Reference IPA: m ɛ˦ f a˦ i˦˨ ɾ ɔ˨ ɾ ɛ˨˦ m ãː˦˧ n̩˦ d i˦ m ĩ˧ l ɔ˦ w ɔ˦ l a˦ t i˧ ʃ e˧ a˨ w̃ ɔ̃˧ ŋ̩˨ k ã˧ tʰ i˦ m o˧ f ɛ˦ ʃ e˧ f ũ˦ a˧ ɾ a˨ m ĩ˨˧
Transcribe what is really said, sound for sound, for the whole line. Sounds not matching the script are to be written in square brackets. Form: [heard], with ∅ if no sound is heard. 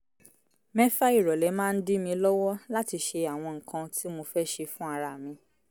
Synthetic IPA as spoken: m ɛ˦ f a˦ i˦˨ ɾ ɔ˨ [l] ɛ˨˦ m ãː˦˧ n̩˦ d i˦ m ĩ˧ l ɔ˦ w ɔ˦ l a˦ t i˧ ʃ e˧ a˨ w̃ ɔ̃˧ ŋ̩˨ k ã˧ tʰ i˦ m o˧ f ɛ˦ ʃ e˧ f ũ˦ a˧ ɾ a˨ m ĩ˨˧